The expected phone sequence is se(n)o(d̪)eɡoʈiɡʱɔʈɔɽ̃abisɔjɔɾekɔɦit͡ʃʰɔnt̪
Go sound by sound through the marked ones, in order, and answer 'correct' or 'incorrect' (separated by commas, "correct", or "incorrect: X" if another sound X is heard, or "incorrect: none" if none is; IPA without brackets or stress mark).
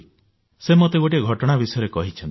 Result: incorrect: m, incorrect: t̪